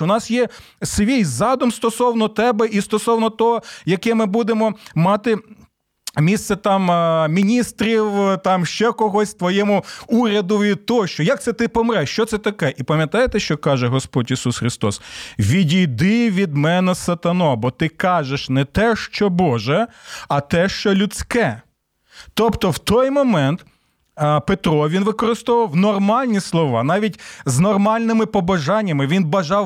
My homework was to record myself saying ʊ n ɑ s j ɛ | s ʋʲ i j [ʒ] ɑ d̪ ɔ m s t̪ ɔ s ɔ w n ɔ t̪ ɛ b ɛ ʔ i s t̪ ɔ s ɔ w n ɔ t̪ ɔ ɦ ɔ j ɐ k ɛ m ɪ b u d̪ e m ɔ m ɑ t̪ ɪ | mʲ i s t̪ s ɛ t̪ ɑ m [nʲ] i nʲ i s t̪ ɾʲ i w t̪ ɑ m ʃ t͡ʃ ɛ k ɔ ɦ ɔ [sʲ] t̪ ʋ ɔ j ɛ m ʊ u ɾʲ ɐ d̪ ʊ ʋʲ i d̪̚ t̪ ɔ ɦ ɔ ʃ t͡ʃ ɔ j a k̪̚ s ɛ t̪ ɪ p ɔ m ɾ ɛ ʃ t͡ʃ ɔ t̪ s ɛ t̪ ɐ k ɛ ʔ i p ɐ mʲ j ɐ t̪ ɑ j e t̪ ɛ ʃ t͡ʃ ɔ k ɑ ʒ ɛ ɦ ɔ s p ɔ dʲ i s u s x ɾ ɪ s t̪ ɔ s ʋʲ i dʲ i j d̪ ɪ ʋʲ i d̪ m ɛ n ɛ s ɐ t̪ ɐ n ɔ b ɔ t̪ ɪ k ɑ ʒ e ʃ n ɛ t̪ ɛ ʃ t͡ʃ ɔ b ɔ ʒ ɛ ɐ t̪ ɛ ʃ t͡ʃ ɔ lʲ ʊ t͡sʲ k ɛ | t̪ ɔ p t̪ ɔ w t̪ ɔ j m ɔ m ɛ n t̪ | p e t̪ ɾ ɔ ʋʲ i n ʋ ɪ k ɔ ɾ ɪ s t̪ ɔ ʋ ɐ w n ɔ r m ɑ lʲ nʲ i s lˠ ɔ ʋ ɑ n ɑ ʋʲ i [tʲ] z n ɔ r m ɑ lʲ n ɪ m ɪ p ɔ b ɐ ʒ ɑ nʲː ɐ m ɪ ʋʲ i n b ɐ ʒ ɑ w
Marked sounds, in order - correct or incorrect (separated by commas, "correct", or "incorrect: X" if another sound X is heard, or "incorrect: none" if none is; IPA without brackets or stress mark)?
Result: incorrect: z, incorrect: mʲ, correct, correct